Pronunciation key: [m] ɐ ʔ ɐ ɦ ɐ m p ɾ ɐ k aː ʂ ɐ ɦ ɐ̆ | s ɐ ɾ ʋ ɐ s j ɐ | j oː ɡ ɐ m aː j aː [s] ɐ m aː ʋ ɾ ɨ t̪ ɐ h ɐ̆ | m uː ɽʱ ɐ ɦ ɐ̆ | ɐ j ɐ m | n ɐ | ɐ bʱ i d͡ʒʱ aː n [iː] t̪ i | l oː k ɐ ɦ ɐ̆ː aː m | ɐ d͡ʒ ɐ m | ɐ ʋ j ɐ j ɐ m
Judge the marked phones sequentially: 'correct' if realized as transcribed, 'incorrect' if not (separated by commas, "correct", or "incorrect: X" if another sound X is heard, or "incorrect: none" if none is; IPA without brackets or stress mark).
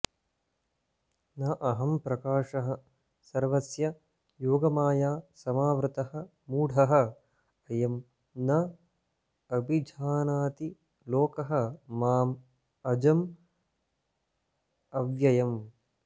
incorrect: n, correct, incorrect: aː